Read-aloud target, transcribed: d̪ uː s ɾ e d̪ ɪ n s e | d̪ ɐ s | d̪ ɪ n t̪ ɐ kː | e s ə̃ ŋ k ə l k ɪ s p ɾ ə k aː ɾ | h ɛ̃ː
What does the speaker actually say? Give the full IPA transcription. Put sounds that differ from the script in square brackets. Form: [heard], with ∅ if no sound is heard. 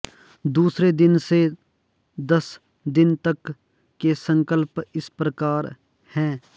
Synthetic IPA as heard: d̪ uː s ɾ e d̪ ɪ n s e | d̪ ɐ s | d̪ ɪ n t̪ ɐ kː | e s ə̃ ŋ k ə l [p] ɪ s p ɾ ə k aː ɾ | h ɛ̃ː